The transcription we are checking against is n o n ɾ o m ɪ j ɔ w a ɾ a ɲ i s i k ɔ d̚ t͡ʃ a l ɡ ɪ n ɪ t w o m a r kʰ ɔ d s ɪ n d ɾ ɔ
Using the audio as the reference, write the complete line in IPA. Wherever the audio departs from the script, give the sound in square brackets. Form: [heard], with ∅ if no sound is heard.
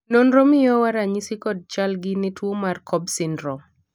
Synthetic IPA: n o n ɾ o m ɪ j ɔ w a ɾ a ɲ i s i k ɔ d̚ t͡ʃ a l ɡ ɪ n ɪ t w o m a r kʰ ɔ [b] s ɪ n d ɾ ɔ